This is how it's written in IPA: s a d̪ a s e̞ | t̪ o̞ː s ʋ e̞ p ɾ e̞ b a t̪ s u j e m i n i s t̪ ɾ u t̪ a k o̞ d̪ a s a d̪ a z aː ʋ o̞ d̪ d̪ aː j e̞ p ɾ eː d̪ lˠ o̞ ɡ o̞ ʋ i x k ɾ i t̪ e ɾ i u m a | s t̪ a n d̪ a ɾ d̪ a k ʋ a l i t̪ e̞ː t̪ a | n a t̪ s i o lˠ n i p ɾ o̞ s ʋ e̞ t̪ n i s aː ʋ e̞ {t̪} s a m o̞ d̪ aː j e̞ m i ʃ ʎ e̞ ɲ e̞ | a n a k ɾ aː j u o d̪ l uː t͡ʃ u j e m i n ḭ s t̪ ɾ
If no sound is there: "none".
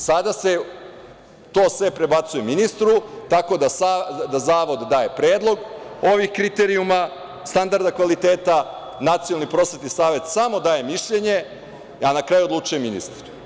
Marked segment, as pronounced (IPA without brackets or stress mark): t̪